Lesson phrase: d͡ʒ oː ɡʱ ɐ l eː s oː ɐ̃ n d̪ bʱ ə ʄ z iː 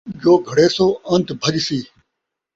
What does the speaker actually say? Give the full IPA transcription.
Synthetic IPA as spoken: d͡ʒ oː ɡʱ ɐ ɽ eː s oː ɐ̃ n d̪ bʱ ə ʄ s iː